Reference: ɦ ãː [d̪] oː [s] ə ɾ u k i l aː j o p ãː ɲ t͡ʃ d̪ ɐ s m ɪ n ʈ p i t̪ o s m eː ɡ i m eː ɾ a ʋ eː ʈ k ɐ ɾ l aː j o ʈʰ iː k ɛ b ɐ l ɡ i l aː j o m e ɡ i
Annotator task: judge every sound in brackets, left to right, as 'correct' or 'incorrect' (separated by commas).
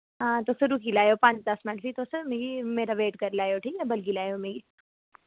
incorrect, correct